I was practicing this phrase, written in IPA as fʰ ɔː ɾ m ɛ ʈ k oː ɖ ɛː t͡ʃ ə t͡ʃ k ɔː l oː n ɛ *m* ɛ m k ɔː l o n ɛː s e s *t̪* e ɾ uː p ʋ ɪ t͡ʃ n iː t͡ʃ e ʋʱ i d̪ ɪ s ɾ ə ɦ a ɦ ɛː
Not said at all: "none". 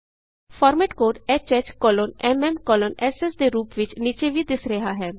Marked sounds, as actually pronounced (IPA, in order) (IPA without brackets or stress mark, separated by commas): m, d̪